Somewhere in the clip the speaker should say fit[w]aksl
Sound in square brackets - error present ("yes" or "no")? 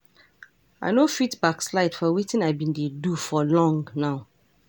yes